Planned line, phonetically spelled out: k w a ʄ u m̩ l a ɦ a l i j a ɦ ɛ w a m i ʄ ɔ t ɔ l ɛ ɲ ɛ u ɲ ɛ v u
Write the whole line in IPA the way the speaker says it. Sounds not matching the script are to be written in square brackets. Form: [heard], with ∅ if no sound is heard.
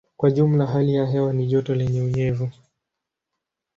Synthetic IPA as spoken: k w a ʄ u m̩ l a ɦ a l i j a ɦ ɛ w a [n] i ʄ ɔ t ɔ l ɛ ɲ ɛ u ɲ ɛ v u